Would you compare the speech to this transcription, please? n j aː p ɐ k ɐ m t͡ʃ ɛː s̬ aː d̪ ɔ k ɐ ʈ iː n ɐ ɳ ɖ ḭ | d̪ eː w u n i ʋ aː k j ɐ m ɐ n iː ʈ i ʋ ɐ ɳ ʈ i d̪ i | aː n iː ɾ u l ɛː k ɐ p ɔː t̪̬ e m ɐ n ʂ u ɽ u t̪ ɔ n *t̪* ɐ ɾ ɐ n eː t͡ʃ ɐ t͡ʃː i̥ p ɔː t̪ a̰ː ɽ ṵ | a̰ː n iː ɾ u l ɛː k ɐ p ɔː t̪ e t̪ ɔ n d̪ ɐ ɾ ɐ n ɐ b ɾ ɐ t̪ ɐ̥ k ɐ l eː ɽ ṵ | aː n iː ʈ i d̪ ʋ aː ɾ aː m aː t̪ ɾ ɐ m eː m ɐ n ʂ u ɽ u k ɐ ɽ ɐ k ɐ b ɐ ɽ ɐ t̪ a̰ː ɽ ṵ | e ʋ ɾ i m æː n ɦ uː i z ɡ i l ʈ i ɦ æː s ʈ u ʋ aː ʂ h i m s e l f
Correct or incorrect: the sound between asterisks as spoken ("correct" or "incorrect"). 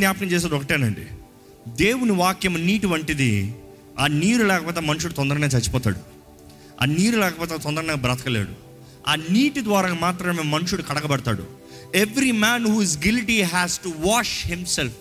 incorrect